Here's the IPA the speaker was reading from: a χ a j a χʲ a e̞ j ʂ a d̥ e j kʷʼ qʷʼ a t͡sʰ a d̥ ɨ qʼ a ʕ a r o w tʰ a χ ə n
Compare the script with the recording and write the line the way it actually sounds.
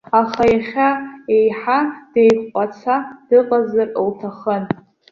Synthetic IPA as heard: a χ a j a χʲ a e̞ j ħ a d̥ e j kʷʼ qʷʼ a t͡sʰ a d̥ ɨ qʼ a z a r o w tʰ a χ ə n